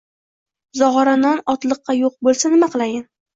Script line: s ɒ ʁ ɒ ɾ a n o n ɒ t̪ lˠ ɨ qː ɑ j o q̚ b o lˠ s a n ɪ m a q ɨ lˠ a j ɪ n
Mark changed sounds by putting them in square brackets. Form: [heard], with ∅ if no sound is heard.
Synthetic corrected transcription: [z] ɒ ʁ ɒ ɾ a n [ɒ] n ɒ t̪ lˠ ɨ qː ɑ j o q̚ b o lˠ s a n ɪ m a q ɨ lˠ a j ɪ n